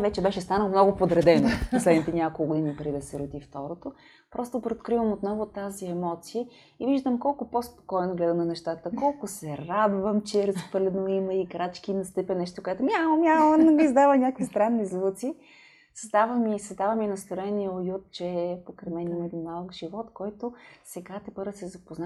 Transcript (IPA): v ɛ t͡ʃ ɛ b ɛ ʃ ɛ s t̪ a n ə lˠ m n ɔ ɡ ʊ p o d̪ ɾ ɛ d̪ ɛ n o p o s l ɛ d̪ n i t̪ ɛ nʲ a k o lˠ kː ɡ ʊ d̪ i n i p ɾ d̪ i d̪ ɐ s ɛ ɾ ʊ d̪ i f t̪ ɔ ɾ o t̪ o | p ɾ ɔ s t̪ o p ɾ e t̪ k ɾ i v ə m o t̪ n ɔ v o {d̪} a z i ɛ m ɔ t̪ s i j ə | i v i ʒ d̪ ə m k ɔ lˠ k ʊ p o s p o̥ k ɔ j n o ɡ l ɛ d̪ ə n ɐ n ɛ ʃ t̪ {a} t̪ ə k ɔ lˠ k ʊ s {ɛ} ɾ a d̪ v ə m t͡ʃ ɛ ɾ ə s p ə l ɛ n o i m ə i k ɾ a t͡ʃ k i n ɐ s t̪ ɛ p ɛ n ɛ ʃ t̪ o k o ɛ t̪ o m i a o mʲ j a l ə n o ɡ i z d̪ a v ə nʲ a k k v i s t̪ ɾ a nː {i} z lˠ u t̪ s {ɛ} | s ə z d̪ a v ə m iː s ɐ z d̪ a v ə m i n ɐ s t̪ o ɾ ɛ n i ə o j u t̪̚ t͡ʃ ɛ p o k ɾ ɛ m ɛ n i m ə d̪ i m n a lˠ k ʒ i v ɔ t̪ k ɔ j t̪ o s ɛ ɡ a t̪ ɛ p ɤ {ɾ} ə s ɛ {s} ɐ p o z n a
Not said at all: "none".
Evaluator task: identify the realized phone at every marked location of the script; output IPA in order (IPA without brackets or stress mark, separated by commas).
t̪, a, ɛ, i, i, ɾ, z